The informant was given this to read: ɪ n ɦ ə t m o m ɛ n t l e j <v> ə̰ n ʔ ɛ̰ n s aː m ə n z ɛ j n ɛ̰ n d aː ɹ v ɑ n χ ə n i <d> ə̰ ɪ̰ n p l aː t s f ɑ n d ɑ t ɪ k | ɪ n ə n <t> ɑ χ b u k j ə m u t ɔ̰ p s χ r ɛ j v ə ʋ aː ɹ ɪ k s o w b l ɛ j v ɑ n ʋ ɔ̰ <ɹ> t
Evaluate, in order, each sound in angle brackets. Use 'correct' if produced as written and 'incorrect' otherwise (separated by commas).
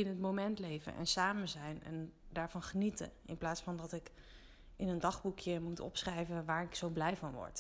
correct, incorrect, incorrect, correct